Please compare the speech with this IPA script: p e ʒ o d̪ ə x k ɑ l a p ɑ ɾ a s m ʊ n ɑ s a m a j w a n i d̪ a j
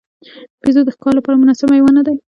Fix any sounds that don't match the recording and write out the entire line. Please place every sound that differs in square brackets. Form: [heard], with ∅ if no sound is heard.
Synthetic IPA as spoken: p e [z] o d̪ ə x k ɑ l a p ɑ ɾ a [∅] m ʊ n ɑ s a m a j w a n [a] d̪ a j